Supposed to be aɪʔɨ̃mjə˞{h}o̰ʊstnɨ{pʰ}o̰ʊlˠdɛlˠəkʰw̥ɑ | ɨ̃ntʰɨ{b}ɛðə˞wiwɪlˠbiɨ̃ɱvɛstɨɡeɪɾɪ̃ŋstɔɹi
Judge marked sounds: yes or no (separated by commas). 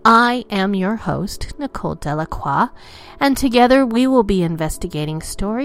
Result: yes, no, no